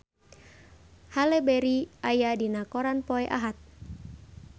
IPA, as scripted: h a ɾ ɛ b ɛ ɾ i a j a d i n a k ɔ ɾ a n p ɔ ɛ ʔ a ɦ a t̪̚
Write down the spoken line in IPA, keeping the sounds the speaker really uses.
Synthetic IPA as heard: h a l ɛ b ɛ ɾ i a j a d i n a k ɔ ɾ a n p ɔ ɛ ʔ a ɦ a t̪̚